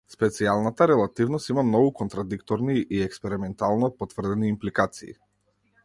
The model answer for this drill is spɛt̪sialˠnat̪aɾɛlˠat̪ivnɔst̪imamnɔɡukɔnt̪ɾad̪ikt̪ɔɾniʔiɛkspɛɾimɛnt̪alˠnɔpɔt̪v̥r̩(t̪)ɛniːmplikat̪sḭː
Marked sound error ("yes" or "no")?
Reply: yes